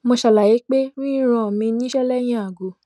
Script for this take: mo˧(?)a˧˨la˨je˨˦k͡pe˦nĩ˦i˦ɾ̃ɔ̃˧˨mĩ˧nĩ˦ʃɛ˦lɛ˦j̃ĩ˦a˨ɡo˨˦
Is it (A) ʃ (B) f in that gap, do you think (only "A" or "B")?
A